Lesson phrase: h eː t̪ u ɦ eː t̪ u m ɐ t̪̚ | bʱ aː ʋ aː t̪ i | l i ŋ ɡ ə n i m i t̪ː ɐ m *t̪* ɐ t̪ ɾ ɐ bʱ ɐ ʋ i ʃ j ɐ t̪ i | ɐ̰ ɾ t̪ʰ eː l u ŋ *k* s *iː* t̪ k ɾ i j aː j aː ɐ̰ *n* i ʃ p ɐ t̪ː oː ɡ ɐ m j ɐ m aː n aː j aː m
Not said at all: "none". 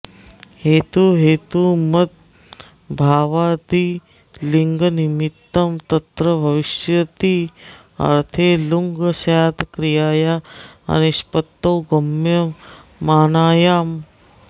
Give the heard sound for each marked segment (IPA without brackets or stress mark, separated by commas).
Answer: t̪, ɡ, aː, n